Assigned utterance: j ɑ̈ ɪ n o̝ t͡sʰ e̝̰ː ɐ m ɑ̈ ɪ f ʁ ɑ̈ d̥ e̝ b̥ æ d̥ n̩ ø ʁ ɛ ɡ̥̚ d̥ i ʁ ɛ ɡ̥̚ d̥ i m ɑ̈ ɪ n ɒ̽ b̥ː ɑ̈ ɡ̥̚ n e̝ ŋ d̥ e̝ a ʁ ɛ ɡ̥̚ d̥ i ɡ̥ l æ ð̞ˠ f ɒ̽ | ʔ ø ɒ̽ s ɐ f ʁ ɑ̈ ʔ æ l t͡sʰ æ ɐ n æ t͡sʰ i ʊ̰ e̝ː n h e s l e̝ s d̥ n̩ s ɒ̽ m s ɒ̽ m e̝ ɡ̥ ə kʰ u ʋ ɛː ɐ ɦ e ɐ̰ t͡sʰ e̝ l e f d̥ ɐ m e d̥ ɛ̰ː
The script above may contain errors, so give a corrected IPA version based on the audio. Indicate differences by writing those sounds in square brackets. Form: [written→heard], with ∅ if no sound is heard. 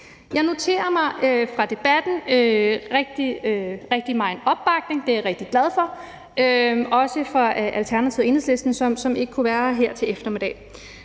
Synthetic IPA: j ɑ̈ ɪ n o̝ t͡sʰ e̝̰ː ɐ m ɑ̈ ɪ f ʁ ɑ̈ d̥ e̝ b̥ æ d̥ n̩ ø ʁ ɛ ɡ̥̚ d̥ i ʁ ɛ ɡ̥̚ d̥ i m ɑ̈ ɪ n ɒ̽ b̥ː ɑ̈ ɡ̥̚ n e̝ ŋ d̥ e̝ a ʁ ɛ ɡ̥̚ d̥ i ɡ̥ l æ ð̞ˠ f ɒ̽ | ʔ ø ɒ̽ s [ɐ→ə] f ʁ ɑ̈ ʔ æ l t͡sʰ æ ɐ n æ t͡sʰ i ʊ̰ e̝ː n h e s l e̝ s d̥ n̩ s ɒ̽ m s ɒ̽ m e̝ ɡ̥ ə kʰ u ʋ [ɛː→æː] ɐ ɦ e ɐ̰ t͡sʰ e̝ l e f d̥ ɐ m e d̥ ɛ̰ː